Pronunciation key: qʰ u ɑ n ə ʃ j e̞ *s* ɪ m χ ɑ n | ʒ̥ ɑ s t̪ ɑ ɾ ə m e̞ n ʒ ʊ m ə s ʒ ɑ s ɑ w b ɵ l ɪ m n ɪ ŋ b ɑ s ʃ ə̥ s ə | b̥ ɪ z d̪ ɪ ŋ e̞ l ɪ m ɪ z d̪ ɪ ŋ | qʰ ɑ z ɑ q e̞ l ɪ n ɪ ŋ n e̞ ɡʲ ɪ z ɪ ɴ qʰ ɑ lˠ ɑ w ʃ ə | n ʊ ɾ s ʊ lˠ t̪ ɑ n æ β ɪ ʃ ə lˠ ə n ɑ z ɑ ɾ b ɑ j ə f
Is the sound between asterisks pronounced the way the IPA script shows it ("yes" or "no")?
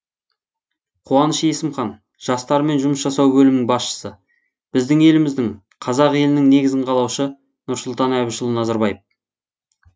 yes